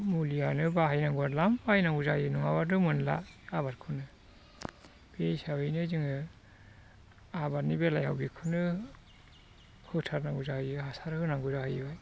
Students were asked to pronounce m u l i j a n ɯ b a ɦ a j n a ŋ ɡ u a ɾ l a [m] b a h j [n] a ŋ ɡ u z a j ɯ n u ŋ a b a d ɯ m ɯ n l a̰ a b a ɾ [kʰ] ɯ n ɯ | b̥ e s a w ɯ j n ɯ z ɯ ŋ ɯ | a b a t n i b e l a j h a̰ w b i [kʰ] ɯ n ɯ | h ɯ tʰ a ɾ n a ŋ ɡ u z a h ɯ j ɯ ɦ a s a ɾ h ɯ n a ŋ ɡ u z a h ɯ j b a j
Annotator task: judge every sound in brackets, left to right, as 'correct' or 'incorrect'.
correct, correct, correct, correct

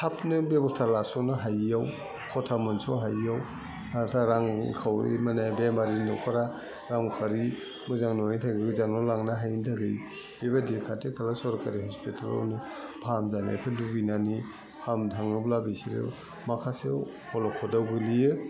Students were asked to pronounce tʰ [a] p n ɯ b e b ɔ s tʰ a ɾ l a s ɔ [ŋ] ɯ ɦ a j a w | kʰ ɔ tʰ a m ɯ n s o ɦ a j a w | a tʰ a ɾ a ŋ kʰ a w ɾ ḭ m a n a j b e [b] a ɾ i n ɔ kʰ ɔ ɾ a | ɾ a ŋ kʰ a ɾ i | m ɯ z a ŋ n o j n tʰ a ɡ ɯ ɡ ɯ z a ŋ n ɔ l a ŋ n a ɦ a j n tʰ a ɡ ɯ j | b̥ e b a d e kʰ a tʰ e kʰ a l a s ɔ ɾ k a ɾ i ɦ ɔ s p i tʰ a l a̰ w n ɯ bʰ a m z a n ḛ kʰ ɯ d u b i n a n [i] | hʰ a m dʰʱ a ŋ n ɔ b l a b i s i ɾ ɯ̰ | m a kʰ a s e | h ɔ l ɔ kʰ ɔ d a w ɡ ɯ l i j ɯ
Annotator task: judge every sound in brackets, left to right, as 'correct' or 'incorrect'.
correct, incorrect, incorrect, correct

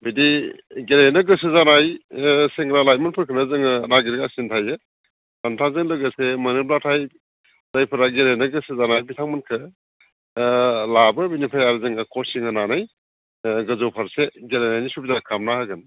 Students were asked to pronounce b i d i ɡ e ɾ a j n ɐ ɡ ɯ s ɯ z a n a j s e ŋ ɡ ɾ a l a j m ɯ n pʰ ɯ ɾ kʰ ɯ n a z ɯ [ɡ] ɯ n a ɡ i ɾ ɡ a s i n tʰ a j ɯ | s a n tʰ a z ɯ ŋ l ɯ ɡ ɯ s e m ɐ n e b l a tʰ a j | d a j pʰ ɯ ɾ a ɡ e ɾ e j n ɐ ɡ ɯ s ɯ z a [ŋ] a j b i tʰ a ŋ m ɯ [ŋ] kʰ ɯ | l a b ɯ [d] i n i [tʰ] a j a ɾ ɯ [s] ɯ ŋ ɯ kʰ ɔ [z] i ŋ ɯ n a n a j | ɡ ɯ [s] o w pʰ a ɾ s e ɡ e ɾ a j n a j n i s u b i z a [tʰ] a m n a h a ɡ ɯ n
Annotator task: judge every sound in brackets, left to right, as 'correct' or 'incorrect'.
incorrect, incorrect, incorrect, incorrect, incorrect, incorrect, incorrect, incorrect, incorrect

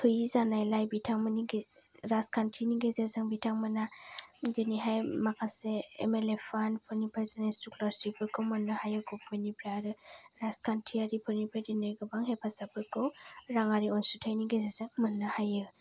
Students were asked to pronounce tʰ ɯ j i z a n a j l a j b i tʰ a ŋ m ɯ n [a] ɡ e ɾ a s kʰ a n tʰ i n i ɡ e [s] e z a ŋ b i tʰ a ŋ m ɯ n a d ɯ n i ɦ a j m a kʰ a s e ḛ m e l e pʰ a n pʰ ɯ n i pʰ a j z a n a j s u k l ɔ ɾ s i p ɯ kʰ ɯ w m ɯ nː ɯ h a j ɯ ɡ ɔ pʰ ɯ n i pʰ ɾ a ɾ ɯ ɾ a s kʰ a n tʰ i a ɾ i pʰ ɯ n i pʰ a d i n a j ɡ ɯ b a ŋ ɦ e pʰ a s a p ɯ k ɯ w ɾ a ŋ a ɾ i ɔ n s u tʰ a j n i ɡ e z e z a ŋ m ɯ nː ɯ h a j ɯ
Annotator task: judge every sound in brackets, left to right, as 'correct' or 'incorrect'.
incorrect, incorrect

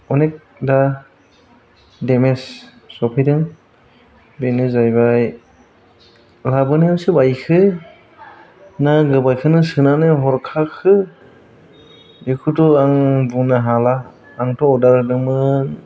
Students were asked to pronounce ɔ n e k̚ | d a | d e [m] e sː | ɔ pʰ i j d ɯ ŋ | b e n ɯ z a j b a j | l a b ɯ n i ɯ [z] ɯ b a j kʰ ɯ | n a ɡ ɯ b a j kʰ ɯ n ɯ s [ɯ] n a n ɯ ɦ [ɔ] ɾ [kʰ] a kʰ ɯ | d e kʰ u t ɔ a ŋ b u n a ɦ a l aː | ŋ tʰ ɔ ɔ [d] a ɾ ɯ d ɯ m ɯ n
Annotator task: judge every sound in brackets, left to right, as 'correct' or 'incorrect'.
correct, incorrect, correct, correct, correct, correct

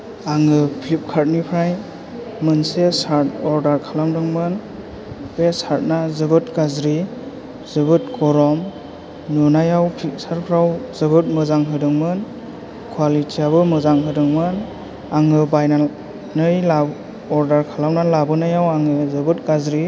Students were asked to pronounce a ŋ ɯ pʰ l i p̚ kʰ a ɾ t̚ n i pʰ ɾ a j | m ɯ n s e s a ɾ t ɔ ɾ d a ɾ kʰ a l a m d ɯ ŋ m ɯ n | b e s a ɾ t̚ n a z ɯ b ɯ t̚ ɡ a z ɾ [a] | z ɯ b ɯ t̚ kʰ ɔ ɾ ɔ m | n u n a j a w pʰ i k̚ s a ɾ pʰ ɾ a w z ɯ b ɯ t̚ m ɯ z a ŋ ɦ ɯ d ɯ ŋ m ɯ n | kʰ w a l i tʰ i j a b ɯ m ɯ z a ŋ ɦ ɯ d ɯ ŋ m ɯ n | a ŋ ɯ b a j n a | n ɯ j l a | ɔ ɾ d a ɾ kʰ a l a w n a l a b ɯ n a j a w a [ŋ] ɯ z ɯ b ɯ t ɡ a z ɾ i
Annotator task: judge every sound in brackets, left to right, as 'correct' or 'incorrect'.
incorrect, correct

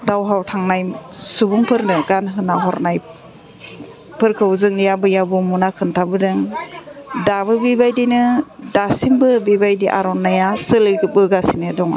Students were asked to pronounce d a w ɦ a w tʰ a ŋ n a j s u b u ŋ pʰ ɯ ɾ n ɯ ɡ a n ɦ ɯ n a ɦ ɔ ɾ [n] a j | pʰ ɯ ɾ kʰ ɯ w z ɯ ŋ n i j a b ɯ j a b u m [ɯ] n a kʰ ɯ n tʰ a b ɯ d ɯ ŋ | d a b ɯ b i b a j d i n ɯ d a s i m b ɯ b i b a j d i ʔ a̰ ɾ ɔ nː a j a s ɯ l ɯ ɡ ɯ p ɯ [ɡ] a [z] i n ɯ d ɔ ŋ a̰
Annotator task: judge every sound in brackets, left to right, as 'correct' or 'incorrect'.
correct, incorrect, correct, incorrect

